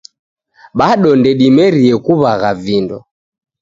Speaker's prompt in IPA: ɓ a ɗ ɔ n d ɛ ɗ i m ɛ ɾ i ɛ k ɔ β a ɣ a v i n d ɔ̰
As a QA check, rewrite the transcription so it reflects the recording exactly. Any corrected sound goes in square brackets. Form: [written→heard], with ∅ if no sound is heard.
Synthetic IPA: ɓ a ɗ ɔ n d ɛ ɗ i m ɛ ɾ i ɛ k [ɔ→u] β a ɣ a v i n d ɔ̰

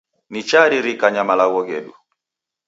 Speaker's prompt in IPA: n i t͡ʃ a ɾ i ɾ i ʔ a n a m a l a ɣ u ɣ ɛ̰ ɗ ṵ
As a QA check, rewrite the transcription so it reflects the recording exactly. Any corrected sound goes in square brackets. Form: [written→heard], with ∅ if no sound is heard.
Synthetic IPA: n i t͡ʃ a ɾ i ɾ i [ʔ→k] a [n→ɲ] a m a l a ɣ [u→ɔ] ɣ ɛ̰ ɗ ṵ

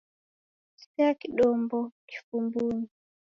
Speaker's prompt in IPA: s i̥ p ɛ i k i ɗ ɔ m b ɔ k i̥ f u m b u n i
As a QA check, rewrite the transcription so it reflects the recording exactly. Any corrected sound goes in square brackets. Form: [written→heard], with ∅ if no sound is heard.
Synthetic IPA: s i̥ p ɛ [i→a] k i ɗ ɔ m b ɔ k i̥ f u m b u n i

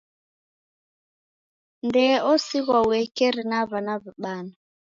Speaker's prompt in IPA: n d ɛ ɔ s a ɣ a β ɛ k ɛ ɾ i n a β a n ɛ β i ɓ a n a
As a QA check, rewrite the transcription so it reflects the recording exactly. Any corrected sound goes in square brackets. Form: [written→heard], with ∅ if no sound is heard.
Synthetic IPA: n d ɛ ɔ s [a→i] ɣ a [β→w] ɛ k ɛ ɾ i n a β a n [ɛ→a] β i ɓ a n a

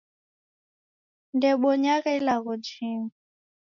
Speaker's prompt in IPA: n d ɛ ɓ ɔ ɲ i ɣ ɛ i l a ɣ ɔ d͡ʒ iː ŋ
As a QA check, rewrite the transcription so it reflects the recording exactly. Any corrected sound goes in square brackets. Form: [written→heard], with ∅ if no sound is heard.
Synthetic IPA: n d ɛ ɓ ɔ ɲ [i→a] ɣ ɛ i l a ɣ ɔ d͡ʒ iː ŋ

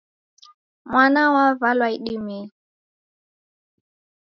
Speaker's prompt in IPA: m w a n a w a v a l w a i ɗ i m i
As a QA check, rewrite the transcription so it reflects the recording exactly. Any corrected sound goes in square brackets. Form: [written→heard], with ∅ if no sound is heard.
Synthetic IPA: m w a n a w a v a l w a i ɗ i m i

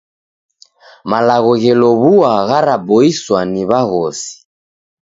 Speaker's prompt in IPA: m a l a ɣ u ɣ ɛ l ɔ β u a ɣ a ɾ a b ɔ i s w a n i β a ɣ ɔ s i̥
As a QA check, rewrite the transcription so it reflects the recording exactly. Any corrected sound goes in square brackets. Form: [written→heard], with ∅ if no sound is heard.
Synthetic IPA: m a l a ɣ [u→ɔ] ɣ ɛ l ɔ β u a ɣ a ɾ a b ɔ i s w a n i β a ɣ ɔ s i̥

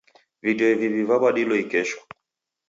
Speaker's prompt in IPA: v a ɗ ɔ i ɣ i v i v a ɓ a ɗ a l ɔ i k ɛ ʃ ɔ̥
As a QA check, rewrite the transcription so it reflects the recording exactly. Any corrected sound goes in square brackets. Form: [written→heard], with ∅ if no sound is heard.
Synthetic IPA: v [a→i] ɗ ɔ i [ɣ→v] i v i v a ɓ a ɗ [a→i] l ɔ i k ɛ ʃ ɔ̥

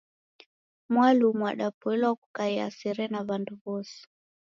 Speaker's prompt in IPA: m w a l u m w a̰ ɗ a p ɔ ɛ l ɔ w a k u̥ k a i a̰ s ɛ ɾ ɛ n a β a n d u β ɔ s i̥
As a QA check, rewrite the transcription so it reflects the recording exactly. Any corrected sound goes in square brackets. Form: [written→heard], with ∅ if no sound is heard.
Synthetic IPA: m w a l u m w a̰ ɗ a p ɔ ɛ l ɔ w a k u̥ k a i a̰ s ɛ ɾ ɛ n a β a n d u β ɔ s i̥

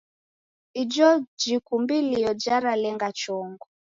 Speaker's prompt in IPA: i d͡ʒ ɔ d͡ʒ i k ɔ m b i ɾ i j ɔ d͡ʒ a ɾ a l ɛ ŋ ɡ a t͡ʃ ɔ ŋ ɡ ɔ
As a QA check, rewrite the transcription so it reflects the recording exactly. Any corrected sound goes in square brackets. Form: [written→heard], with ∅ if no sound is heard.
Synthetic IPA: i d͡ʒ ɔ d͡ʒ i k [ɔ→u] m b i [ɾ→l] i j ɔ d͡ʒ a ɾ a l ɛ ŋ ɡ a t͡ʃ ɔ ŋ ɡ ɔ

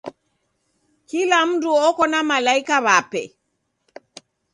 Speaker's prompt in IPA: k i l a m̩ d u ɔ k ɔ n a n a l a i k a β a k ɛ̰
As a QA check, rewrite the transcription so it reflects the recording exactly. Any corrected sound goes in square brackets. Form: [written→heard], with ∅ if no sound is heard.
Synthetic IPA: k i l a m̩ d u ɔ k ɔ n a [n→m] a l a i k a β a [k→p] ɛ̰

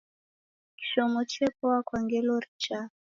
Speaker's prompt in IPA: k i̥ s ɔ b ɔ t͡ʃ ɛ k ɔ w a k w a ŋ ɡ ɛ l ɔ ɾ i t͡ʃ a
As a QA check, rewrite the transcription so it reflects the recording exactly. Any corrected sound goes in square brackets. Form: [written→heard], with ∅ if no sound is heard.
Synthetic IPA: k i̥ [s→ʃ] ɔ [b→m] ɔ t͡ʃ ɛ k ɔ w a k w a ŋ ɡ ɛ l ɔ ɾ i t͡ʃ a

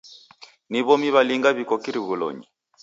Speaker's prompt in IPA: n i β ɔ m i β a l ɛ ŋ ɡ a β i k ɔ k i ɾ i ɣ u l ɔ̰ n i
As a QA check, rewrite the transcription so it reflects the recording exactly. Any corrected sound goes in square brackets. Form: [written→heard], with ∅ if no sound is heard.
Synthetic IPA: n i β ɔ m i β a l [ɛ→i] ŋ ɡ a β i k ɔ k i ɾ i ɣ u l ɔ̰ [n→ɲ] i

